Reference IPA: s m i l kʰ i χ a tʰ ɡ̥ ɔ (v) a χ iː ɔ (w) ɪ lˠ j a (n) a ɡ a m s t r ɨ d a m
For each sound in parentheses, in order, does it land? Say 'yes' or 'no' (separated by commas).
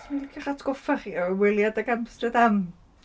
no, yes, no